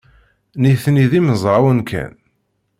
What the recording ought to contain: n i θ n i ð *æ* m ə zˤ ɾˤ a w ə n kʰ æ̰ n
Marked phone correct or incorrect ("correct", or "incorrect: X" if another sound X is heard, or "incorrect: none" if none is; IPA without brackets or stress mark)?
incorrect: i